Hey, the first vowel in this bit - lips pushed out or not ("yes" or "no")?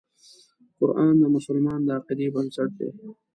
yes